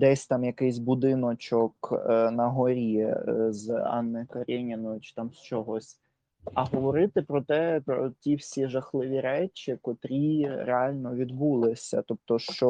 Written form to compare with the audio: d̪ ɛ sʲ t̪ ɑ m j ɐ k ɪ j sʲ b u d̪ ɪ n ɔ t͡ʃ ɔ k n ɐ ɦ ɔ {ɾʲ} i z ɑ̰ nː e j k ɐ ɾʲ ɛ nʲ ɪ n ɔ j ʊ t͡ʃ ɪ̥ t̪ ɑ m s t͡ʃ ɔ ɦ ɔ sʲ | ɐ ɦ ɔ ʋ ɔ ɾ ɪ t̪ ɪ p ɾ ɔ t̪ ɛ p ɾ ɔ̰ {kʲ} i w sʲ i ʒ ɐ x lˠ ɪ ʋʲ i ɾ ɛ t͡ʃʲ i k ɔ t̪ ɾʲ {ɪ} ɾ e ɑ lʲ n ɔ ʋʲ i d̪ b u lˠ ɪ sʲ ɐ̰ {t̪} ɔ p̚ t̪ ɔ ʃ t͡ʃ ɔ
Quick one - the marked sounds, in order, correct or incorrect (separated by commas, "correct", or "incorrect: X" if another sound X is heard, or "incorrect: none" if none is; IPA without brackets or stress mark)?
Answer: correct, incorrect: tʲ, incorrect: i, correct